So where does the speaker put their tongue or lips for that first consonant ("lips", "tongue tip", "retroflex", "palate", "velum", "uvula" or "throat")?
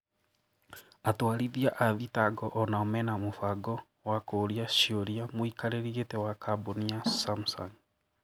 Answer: tongue tip